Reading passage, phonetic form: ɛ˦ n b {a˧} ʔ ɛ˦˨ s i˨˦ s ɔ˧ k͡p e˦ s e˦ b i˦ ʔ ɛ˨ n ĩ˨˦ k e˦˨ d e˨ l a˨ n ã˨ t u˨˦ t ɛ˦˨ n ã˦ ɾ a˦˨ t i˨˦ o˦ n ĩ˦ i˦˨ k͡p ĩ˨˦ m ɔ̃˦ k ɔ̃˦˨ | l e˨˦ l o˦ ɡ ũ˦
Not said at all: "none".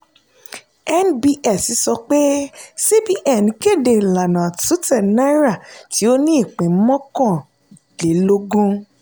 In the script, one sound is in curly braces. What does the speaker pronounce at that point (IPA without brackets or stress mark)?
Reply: i˧